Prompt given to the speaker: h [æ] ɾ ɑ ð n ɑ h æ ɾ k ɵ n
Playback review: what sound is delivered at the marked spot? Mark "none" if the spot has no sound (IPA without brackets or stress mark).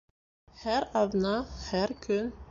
æ